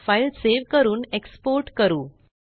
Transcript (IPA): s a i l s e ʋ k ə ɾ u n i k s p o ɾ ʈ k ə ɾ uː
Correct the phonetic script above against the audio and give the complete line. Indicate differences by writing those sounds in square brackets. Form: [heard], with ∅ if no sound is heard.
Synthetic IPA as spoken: [f] a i l s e ʋ k ə ɾ [uː] n [e] k s p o ɾ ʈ k ə ɾ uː